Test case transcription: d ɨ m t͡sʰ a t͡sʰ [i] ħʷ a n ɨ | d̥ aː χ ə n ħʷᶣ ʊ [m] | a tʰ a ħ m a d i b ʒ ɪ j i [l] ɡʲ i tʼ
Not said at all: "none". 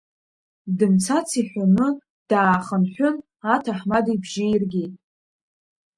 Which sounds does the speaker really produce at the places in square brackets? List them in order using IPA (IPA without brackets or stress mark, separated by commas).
i, n, r